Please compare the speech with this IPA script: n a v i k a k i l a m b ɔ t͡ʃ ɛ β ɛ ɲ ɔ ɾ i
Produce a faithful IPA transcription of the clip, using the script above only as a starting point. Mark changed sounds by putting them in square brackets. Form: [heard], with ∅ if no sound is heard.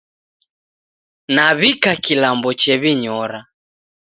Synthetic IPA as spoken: n a [β] i k a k i l a m b ɔ t͡ʃ ɛ β [i] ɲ ɔ ɾ [a]

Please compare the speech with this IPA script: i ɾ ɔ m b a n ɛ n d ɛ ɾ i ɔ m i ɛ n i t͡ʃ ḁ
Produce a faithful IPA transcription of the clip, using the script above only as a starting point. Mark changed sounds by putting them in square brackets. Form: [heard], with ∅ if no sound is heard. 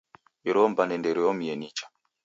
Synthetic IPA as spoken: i ɾ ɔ m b a n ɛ n d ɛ ɾ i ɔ m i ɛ n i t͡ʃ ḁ

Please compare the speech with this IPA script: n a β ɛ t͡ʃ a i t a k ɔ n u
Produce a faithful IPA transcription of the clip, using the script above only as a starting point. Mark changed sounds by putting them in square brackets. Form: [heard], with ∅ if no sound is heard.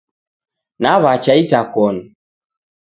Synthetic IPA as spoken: n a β [a] t͡ʃ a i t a k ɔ n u

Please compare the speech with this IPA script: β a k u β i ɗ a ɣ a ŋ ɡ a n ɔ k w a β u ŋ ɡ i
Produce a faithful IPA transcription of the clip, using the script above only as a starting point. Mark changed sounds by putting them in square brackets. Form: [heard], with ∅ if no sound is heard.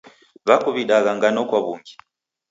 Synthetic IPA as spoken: β a k u β i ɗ a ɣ a ŋ ɡ a n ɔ k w a β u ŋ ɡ i

